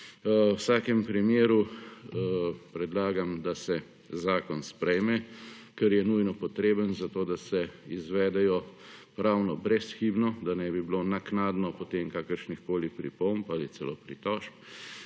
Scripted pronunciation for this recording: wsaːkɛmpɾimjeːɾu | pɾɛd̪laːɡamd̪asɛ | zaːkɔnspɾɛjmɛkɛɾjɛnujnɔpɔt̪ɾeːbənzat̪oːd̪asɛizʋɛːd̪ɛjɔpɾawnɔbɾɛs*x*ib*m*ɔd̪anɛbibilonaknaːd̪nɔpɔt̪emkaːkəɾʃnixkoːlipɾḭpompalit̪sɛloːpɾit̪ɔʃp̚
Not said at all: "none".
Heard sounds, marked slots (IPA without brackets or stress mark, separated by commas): x, n